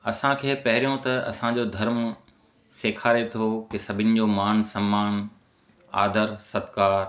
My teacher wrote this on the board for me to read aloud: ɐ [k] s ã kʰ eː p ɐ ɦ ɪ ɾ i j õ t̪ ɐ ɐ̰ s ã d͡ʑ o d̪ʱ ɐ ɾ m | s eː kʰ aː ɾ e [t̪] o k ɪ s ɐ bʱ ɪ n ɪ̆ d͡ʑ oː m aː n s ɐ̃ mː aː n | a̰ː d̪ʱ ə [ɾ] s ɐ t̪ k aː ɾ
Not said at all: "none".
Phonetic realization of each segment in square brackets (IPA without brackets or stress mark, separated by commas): none, t̪ʰ, ɾ